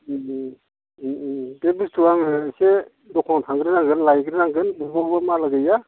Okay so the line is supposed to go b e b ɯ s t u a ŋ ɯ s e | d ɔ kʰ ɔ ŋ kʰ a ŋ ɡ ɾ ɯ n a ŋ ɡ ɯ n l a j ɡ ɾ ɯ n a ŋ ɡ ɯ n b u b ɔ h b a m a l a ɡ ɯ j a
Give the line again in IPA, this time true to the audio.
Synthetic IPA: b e b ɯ s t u a ŋ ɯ s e | d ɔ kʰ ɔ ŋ tʰ a ŋ ɡ ɾ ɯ n a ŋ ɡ ɯ n l a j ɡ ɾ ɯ n a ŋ ɡ ɯ n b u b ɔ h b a m a l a ɡ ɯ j a